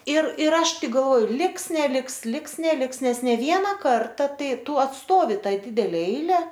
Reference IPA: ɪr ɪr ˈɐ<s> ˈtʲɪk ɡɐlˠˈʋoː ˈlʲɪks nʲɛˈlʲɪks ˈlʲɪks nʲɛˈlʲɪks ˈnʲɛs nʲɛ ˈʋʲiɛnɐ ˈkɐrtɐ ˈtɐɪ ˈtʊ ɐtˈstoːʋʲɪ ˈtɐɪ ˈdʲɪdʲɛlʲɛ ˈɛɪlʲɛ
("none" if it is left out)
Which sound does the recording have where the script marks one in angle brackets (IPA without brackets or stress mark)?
ʃ